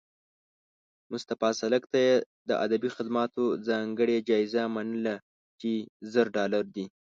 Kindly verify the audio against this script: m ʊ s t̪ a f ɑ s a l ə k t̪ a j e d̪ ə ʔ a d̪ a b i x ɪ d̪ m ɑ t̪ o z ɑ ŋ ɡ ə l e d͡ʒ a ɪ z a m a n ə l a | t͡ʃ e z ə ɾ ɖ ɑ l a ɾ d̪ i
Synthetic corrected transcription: m ʊ s t̪ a f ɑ s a l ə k t̪ a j e d̪ ə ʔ a d̪ a b i x ɪ d̪ m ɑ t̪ o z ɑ ŋ ɡ ə ɽ e d͡ʒ ɑ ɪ z a m a n ə l a | t͡ʃ e z ə ɾ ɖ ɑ l a ɾ d̪ i